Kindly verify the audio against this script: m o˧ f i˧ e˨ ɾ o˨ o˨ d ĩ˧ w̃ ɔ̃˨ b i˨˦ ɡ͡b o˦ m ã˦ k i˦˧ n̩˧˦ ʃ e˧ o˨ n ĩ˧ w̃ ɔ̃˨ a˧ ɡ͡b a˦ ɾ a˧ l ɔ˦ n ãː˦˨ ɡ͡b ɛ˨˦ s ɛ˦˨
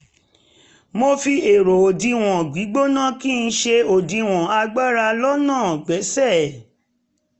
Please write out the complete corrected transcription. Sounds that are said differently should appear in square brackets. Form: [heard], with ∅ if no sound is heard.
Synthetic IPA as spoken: m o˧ f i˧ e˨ ɾ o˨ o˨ d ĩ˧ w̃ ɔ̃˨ [ɡ͡b] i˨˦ ɡ͡b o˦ [n] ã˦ k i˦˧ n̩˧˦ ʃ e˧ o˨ [d] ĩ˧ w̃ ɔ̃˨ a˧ ɡ͡b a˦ ɾ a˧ l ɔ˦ n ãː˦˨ ɡ͡b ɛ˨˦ s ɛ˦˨